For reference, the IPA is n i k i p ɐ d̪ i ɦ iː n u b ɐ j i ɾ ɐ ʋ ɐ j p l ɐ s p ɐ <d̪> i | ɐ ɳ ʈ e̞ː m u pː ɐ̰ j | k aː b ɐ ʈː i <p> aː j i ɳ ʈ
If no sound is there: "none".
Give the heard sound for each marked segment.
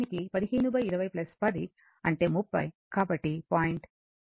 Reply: d̪, p

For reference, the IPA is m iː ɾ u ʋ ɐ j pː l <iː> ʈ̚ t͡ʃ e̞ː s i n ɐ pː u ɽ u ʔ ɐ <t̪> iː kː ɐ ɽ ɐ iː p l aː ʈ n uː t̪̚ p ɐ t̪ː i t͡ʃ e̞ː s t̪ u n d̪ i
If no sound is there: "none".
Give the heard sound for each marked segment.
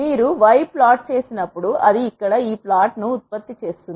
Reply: aː, d̪

